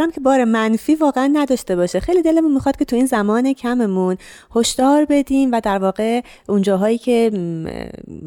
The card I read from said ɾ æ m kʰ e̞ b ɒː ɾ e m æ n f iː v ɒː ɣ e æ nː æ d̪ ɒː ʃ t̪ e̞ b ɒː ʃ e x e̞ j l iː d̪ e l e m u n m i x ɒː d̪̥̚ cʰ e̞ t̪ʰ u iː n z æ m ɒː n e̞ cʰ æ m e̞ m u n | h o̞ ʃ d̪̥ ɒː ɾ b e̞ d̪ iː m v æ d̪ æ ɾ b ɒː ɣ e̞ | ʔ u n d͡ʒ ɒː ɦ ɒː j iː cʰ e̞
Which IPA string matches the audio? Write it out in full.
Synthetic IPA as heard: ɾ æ m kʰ e̞ b ɒː ɾ e m æ n f iː v ɒː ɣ e æ nː æ d̪ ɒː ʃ t̪ e̞ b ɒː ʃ e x e̞ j l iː d̪ e l e m u n m i x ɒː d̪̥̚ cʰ e̞ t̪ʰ u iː n z æ m ɒː n e̞ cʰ æ m e̞ m u n | h o̞ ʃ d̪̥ ɒː ɾ b e̞ d̪ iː m v æ d̪ æ ɾ v ɒː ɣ e̞ | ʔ u n d͡ʒ ɒː ɦ ɒː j iː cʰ e̞